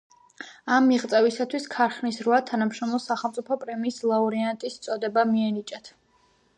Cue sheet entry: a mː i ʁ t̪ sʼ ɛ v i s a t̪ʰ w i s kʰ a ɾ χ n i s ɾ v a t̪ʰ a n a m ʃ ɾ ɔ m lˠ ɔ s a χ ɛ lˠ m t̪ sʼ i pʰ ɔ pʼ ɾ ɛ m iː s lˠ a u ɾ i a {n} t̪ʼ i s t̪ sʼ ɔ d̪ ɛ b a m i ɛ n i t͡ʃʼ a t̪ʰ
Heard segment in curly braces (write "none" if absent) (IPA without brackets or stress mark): n